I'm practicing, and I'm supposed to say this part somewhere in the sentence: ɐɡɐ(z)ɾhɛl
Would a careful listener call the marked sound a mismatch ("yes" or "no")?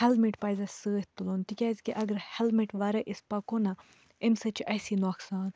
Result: yes